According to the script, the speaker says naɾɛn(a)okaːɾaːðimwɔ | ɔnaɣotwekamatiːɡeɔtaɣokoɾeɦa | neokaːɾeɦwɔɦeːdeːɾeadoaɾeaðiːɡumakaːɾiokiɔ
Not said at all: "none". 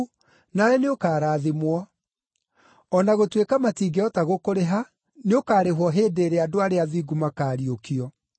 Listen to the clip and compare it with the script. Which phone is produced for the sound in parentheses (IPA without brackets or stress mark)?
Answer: e